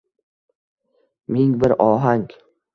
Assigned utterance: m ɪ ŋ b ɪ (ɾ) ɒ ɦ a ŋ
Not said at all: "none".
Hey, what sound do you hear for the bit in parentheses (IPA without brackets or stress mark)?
ɾ